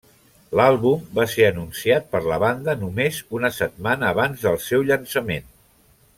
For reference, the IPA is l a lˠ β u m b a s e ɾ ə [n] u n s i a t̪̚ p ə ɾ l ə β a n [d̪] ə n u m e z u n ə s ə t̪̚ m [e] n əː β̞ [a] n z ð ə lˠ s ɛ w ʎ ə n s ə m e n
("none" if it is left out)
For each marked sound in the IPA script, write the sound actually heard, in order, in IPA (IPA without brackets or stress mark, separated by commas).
n, d̪, a, a